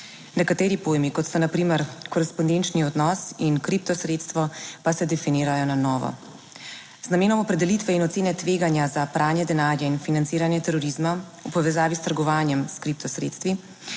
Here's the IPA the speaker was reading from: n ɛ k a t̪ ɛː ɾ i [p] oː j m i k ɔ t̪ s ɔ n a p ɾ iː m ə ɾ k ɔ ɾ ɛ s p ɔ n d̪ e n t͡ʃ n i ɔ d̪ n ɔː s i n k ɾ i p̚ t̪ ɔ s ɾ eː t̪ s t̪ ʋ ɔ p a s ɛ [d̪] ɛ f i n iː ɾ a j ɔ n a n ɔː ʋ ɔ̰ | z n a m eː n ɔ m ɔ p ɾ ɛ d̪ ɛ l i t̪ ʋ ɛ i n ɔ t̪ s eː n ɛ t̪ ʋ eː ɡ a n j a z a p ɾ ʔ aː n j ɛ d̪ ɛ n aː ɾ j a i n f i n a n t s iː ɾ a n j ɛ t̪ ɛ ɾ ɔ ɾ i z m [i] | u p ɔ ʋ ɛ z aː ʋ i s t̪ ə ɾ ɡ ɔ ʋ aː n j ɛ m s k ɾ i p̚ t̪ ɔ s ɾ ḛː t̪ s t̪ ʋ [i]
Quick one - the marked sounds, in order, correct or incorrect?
correct, correct, incorrect, correct

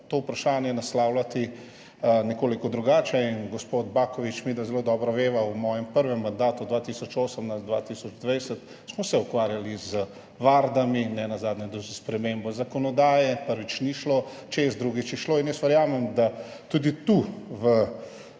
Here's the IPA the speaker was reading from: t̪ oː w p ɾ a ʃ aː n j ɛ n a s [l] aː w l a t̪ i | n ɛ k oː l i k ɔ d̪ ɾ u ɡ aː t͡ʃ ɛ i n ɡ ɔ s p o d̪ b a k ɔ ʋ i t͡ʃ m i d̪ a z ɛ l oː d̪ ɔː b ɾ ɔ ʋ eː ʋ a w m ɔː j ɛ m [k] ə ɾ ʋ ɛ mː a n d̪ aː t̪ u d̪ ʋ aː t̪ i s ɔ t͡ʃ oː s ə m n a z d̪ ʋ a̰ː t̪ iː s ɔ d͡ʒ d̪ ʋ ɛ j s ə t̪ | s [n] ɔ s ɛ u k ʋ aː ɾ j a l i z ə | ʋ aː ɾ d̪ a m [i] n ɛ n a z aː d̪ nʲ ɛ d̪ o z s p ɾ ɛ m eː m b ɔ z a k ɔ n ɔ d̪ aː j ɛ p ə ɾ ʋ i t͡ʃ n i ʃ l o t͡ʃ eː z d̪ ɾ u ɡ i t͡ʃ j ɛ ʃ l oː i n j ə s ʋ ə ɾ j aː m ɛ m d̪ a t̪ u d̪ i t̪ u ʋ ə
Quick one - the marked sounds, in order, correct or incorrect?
correct, incorrect, incorrect, correct

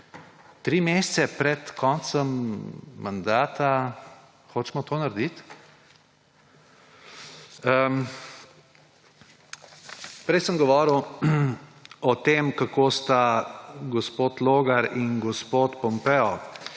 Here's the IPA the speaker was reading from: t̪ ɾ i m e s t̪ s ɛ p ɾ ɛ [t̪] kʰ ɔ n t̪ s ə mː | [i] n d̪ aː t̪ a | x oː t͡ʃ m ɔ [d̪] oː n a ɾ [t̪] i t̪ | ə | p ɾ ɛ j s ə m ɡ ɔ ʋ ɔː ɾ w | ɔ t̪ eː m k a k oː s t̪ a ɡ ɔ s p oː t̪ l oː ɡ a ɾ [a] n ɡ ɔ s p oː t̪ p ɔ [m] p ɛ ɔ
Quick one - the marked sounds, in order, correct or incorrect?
correct, incorrect, incorrect, incorrect, incorrect, correct

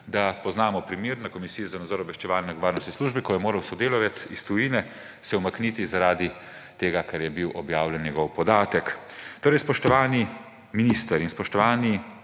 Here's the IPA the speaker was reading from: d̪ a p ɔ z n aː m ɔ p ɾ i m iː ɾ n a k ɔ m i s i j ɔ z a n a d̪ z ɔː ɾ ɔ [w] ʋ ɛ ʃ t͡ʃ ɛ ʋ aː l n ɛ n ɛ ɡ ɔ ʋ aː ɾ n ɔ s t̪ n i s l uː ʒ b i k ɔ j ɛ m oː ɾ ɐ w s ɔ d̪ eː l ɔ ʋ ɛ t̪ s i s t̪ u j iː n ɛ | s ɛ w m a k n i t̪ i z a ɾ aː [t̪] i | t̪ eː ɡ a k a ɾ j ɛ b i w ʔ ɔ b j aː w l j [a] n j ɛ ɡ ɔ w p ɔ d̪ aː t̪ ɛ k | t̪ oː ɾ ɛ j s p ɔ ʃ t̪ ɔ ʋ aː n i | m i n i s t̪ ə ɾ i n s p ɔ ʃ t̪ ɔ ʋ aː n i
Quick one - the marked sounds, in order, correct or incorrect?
incorrect, incorrect, incorrect

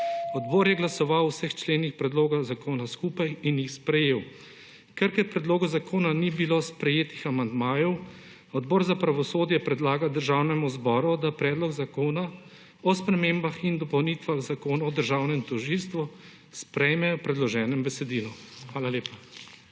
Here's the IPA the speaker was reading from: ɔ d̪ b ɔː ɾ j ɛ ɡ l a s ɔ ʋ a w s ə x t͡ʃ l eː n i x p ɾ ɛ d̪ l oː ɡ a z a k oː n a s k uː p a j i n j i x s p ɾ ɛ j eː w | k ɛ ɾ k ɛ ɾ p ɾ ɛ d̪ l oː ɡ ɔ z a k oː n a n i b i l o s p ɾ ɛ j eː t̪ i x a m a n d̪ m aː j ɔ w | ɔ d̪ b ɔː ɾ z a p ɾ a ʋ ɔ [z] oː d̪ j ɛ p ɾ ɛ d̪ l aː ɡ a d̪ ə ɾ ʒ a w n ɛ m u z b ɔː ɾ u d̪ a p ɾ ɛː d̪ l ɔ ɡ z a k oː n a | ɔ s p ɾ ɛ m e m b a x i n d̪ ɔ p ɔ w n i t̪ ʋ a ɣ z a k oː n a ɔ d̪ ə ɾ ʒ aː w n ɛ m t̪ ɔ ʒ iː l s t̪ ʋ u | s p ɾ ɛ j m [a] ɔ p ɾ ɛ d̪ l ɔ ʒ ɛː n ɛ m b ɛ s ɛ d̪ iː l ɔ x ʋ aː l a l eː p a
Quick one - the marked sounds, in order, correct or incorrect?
incorrect, incorrect

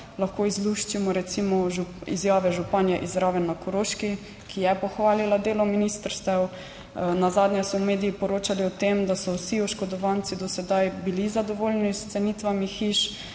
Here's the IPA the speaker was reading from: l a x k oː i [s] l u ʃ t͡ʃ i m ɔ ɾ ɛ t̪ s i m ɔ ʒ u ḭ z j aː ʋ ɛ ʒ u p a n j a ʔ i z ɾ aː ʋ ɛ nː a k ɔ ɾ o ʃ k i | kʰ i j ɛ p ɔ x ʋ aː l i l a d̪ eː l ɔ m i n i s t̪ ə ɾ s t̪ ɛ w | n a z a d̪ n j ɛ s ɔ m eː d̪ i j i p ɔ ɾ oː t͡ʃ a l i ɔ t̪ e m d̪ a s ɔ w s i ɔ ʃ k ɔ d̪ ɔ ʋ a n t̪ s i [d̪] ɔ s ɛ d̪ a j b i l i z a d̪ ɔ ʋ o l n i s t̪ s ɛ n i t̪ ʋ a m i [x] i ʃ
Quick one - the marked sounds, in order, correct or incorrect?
incorrect, correct, correct

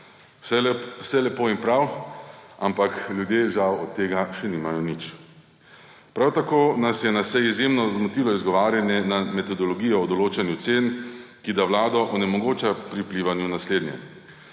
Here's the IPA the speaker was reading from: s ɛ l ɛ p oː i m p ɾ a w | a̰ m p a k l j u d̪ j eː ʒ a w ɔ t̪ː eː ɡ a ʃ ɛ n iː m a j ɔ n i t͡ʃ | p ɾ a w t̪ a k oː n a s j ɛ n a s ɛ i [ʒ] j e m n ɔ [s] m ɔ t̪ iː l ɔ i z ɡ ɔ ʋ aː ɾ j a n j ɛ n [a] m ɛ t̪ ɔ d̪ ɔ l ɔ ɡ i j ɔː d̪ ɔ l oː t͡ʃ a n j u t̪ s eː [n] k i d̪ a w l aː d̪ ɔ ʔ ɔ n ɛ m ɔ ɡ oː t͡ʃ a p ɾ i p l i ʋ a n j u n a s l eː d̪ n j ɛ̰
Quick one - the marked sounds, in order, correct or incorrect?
incorrect, incorrect, correct, correct

